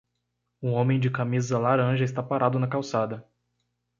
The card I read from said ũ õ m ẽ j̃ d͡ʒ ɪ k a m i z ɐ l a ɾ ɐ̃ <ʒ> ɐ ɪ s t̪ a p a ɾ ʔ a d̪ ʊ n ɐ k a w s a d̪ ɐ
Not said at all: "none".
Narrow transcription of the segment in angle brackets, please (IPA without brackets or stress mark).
ʒ